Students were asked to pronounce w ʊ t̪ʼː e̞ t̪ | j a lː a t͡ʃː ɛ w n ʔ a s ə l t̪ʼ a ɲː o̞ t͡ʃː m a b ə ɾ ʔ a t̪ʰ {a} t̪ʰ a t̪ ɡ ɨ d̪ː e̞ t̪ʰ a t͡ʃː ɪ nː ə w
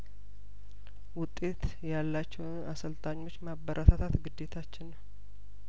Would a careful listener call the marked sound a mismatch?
no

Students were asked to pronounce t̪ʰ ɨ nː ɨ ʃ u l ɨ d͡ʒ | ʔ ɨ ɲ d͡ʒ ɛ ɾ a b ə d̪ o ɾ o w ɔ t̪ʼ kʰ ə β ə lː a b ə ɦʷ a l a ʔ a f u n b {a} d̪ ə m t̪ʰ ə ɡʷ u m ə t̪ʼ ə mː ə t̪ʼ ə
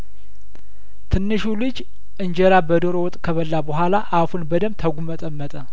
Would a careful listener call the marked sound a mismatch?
yes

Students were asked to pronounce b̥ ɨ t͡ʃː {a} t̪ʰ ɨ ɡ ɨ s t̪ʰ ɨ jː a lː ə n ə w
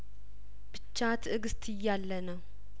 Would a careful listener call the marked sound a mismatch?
no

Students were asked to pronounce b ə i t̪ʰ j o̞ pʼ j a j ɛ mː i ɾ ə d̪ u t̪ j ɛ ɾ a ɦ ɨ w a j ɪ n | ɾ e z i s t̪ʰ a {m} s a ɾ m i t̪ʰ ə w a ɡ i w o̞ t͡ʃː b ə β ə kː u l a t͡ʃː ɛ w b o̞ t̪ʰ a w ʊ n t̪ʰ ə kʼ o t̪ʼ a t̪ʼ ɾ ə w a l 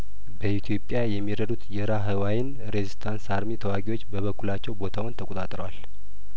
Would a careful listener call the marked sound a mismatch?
yes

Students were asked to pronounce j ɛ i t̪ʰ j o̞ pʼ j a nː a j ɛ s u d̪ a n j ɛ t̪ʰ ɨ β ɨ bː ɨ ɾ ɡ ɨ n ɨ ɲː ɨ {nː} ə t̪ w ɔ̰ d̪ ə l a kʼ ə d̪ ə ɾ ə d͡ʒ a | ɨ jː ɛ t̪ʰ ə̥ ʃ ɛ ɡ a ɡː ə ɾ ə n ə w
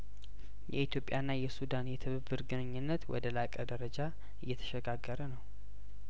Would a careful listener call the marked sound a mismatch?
no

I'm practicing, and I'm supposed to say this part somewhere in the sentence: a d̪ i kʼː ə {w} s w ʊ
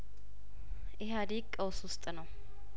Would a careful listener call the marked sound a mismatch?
no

